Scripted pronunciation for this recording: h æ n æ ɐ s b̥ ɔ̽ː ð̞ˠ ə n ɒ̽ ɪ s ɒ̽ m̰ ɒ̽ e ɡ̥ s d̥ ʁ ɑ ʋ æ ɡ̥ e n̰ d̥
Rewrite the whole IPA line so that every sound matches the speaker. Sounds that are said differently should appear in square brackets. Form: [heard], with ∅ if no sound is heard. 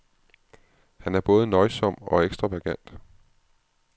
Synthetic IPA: h æ n æ ɐ [∅] b̥ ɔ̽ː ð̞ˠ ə n ɒ̽ ɪ s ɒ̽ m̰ ɒ̽ e ɡ̥ s d̥ ʁ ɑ ʋ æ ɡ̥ [æ] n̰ d̥